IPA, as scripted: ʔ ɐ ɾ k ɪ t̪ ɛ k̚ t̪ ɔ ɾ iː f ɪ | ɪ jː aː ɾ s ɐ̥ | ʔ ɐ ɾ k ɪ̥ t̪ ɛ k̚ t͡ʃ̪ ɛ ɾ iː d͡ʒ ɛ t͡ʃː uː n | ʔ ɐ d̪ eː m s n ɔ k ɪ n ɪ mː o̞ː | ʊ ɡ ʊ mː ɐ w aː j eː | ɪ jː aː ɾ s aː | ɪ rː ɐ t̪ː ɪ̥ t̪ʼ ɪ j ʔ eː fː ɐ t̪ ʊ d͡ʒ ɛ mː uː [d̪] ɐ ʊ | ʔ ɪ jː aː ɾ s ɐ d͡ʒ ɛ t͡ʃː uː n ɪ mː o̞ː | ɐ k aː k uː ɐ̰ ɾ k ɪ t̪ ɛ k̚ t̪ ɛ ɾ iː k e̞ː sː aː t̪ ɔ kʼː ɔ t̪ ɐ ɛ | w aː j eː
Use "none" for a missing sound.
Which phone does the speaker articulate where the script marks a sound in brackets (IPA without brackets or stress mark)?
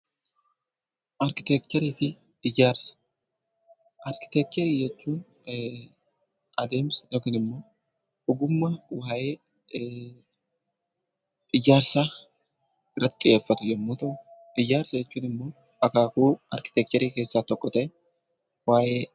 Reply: t̪